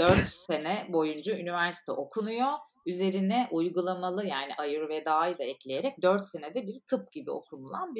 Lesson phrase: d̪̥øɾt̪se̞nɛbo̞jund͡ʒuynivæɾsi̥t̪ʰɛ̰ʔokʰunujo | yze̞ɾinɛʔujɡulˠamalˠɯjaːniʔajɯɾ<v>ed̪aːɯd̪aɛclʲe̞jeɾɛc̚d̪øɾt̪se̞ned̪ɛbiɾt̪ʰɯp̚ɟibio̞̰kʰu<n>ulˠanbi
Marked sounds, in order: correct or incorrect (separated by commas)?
correct, correct